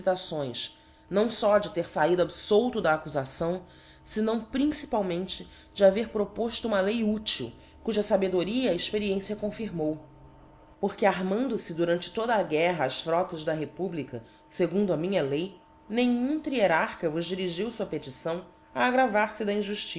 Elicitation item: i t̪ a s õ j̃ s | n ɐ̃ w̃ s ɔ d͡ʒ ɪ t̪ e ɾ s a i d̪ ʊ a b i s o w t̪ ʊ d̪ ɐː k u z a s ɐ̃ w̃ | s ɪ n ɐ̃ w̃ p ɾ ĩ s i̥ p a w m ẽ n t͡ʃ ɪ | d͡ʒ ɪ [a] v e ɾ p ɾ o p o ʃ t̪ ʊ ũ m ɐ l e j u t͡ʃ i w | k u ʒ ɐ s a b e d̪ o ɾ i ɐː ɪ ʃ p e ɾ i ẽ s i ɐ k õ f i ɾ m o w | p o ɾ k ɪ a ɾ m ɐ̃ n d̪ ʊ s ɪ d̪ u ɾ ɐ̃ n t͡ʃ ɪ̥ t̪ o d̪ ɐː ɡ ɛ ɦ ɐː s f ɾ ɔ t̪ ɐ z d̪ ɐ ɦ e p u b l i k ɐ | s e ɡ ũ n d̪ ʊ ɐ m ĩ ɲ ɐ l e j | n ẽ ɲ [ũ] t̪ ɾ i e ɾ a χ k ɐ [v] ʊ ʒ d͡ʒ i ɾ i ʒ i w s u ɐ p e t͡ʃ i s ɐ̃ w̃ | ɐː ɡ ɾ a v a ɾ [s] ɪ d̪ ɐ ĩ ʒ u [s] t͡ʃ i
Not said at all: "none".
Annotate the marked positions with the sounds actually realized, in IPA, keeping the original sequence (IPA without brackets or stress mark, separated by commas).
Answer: a, ũ, v, s, ʃ